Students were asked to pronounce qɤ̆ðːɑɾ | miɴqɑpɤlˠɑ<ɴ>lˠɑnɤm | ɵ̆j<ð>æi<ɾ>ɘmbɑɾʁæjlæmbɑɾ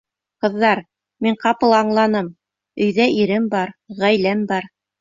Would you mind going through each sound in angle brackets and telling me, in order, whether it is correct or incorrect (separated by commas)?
correct, correct, correct